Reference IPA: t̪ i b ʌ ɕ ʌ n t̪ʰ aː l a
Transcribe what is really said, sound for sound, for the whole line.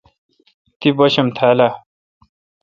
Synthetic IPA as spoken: t̪ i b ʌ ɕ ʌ m t̪ʰ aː l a